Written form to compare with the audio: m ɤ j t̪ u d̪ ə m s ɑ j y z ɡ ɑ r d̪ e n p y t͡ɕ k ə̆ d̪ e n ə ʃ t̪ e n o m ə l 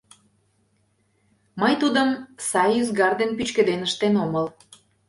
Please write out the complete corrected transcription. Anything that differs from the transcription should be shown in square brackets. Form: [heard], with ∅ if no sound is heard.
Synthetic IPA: m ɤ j t̪ u d̪ ə m s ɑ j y z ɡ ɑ r d̪ e n p y t͡ɕ k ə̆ d̪ e n ə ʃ t̪ e n o m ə l